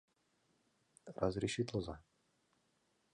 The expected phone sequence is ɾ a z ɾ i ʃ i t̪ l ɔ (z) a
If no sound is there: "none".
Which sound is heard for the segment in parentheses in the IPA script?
z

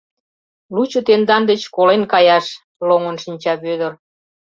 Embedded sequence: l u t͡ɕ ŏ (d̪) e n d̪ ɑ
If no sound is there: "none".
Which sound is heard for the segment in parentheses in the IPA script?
t̪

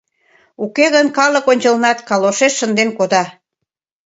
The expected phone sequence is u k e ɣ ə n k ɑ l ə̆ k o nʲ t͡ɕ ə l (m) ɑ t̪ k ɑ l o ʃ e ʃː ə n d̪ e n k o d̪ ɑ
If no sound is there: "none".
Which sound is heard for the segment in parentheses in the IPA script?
n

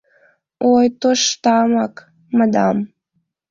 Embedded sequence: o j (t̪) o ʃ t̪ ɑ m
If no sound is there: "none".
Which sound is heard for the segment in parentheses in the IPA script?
t̪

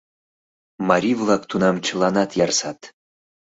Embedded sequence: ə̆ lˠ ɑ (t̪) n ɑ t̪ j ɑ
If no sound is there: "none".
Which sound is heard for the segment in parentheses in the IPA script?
none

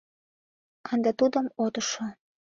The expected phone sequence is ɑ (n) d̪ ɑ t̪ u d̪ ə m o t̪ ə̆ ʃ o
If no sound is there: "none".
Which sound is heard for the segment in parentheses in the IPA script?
n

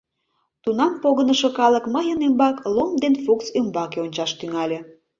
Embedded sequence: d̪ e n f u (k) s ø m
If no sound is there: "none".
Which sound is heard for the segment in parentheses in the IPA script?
k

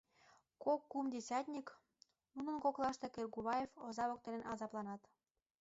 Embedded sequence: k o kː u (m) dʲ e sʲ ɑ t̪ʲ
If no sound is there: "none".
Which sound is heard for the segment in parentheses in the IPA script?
m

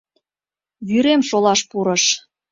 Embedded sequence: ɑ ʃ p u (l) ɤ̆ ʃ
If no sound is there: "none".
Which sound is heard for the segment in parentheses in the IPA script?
ɾ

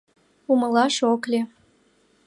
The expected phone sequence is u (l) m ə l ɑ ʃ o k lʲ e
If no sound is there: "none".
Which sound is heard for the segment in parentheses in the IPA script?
none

